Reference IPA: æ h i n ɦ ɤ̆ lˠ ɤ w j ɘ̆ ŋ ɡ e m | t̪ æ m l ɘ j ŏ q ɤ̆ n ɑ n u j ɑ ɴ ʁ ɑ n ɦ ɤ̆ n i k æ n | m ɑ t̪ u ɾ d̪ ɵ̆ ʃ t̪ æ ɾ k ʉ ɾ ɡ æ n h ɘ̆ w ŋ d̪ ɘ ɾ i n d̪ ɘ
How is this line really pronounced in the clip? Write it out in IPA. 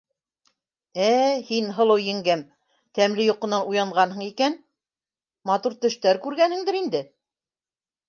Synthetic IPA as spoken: æ h i n ɦ ɤ̆ lˠ ɤ w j ɘ̆ ŋ ɡ æ m | t̪ æ m l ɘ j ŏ q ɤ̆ n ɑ n u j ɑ ɴ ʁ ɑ n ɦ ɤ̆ ɴ i k æ n | m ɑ t̪ u ɾ t̪ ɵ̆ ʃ t̪ æ ɾ k ʉ ɾ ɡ æ n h ɘ̆ ŋ d̪ ɘ ɾ i n d̪ ɘ